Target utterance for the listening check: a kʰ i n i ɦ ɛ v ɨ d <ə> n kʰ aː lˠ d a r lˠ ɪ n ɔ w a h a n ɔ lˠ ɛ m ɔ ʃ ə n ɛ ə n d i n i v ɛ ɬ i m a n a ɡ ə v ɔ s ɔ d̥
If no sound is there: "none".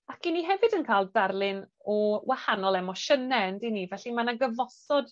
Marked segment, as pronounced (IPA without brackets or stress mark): ə